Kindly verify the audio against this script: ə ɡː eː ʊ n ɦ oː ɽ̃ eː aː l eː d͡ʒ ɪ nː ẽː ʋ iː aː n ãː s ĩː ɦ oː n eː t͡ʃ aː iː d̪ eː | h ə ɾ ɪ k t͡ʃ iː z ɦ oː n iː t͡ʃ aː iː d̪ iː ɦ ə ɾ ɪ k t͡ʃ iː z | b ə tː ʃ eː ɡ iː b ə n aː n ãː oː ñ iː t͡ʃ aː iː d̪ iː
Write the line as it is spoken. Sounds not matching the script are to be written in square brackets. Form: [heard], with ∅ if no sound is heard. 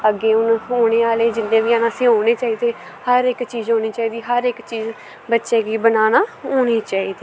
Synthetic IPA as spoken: ə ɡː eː ʊ n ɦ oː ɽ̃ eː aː l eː d͡ʒ ɪ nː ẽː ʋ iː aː n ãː s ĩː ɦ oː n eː t͡ʃ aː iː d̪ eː | h ə ɾ ɪ k t͡ʃ iː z ɦ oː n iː t͡ʃ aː iː d̪ iː ɦ ə ɾ ɪ k t͡ʃ iː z | b ə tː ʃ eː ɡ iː b ə n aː n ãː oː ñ iː t͡ʃ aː iː d̪ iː